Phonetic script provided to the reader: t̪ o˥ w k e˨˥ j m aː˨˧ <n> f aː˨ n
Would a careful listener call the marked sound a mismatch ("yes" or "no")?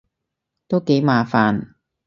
yes